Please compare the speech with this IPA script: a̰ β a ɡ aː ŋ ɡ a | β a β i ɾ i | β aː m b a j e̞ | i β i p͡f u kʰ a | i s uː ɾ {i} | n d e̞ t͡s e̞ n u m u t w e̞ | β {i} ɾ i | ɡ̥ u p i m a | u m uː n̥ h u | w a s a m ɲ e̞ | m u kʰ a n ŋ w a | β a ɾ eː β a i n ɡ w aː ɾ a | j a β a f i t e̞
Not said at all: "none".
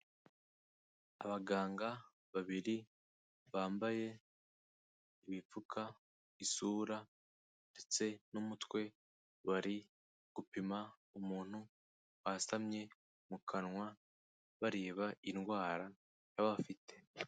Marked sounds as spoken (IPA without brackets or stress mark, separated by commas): a, a